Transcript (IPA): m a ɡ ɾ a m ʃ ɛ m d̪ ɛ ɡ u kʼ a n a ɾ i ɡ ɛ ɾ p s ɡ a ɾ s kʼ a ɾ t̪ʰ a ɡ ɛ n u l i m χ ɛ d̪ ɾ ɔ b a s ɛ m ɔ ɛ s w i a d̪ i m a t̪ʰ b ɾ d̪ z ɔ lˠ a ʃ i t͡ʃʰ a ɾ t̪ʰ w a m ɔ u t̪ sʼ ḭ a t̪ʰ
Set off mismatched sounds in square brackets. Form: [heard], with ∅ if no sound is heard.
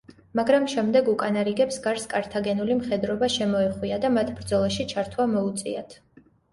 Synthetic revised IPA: m a ɡ ɾ a m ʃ ɛ m d̪ ɛ ɡ u kʼ a n a ɾ i ɡ ɛ [∅] p s ɡ a ɾ s kʼ a ɾ t̪ʰ a ɡ ɛ n u l i m χ ɛ d̪ ɾ ɔ b a [ʃ] ɛ m ɔ ɛ [χ] w i a d̪ [a] m a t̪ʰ b ɾ d̪ z ɔ lˠ a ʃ i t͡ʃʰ a ɾ t̪ʰ w a m ɔ u t̪ sʼ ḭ a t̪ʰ